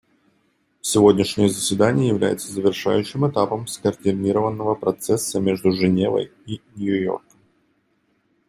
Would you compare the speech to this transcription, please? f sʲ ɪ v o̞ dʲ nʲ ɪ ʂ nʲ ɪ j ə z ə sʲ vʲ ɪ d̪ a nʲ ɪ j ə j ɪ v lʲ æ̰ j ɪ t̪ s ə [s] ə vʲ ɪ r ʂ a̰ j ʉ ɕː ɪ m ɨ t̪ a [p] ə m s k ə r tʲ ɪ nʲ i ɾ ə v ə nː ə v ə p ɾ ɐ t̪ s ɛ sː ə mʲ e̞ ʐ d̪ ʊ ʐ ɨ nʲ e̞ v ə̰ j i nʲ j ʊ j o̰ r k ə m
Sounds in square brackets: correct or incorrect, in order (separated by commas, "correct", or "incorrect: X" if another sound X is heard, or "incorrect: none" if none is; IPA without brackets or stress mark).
incorrect: z, correct